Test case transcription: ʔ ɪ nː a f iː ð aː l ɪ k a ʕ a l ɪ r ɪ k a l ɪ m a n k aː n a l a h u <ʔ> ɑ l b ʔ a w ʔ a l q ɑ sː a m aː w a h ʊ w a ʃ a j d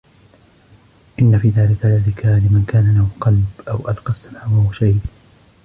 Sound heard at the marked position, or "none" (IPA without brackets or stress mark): q